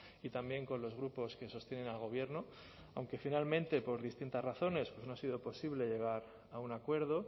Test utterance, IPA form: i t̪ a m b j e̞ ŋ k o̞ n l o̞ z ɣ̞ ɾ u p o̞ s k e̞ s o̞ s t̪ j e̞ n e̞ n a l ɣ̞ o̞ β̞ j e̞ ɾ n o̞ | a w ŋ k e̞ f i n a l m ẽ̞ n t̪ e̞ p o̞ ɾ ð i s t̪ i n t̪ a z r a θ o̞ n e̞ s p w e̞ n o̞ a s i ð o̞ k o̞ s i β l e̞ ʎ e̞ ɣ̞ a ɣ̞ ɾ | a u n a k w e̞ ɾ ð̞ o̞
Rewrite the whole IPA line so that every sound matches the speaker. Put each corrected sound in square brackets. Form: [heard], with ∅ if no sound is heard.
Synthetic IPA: i t̪ a m b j e̞ ŋ k o̞ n l o̞ z ɣ̞ ɾ u p o̞ s k e̞ s o̞ s t̪ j e̞ n e̞ n a l ɣ̞ o̞ β̞ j e̞ ɾ n o̞ | a w ŋ k e̞ f i n a l m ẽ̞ n t̪ e̞ p o̞ ɾ ð i s t̪ i n t̪ a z r a θ o̞ n e̞ s p w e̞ n o̞ a s i ð o̞ [p] o̞ s i β l e̞ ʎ e̞ ɣ̞ a [∅] ɾ | a u n a k w e̞ ɾ ð̞ o̞